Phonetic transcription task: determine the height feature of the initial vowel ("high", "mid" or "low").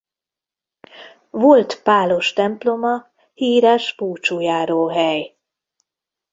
mid